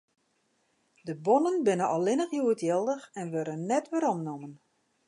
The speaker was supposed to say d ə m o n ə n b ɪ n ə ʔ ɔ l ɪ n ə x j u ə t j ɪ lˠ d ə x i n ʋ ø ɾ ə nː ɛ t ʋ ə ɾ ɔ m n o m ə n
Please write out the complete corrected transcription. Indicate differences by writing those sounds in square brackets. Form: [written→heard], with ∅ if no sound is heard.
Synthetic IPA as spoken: d ə [m→b] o n ə n b ɪ n ə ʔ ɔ l ɪ n ə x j u ə t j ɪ lˠ d ə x [i→ɛ] n ʋ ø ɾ ə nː ɛ t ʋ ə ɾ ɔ m n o m ə n

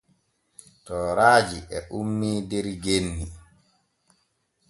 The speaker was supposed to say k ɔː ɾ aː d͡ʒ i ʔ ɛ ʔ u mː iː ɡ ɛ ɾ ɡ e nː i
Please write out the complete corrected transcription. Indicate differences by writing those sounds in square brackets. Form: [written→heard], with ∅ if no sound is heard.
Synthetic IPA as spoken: [k→t] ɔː ɾ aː d͡ʒ i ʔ ɛ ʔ u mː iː [ɡ→d] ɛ ɾ ɡ e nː i

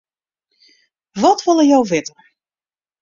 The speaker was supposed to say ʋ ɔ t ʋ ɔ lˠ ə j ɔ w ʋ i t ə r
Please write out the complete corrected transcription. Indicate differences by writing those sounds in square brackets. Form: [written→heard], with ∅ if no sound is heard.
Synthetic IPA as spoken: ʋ ɔ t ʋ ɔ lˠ ə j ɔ w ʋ [i→ɪ] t ə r

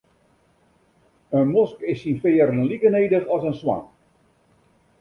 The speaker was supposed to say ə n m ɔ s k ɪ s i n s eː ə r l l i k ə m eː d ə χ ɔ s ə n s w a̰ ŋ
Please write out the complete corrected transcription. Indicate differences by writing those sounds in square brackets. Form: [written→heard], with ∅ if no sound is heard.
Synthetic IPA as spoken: ə n m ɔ s k ɪ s i n [s→f] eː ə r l l i k ə [m→n] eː d ə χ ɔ s ə n s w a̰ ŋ

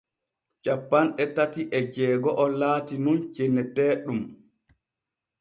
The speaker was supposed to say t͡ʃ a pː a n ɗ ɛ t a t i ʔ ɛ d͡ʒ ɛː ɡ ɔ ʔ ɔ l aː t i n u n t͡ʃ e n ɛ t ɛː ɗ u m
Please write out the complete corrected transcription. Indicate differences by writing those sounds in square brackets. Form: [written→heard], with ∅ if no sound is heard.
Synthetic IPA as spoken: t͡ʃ a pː a n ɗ ɛ t a t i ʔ ɛ d͡ʒ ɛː ɡ ɔ ʔ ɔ l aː t i n u n t͡ʃ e n ɛ t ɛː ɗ u m

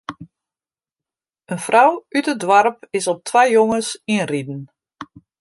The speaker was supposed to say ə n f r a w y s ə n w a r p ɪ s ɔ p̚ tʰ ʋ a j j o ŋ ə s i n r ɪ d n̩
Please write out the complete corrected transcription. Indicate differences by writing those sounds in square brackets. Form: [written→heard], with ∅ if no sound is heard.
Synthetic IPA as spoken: ə n f r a w y [s→t] ə [n→d] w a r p ɪ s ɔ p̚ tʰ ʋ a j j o ŋ ə s i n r [ɪ→i] d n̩

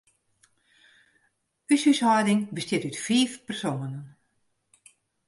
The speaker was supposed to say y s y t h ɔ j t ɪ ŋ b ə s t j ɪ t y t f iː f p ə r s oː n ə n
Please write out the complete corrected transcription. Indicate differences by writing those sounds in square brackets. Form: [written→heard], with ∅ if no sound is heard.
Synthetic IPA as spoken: y s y [t→s] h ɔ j [t→d] ɪ ŋ b ə s t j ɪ t y t f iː f p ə r s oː n ə n

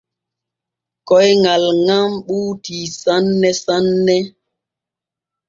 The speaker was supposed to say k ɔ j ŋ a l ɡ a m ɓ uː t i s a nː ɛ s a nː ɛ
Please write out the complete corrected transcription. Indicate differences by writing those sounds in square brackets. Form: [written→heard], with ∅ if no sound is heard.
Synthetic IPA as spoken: k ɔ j ŋ a l [ɡ→ŋ] a m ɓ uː t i s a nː ɛ s a nː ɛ

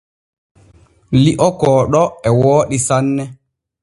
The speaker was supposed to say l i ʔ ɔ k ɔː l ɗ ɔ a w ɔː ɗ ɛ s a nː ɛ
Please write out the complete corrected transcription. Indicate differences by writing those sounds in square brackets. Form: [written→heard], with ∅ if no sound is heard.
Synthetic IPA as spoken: l i ʔ ɔ k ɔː [l→∅] ɗ ɔ [a→ɛ] w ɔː ɗ [ɛ→i] s a nː ɛ

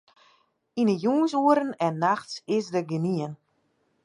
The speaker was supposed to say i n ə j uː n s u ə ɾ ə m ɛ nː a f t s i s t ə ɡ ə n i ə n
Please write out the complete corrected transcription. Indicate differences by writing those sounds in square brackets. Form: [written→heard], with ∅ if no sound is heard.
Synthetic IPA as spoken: i n ə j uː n s u ə ɾ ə [m→n] ɛ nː a [f→x] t s [i→ɪ] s [t→d] ə ɡ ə n i ə n

